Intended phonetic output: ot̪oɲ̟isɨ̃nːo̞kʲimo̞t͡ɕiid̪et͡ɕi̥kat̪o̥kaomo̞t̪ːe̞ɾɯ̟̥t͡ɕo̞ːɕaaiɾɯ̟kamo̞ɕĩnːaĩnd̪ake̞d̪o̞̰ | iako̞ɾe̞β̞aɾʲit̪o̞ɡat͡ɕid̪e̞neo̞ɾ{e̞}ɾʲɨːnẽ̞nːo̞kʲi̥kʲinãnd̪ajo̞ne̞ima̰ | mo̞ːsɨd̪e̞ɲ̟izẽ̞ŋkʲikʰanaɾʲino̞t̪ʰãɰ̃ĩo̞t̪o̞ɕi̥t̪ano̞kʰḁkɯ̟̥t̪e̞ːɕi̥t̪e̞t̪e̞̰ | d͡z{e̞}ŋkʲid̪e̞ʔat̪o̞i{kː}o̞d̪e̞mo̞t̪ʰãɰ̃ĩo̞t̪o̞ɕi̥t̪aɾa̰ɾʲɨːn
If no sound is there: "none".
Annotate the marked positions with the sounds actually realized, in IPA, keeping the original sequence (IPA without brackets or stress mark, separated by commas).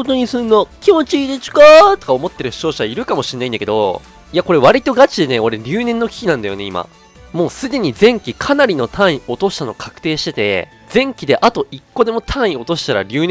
e̞, ẽ̞, kː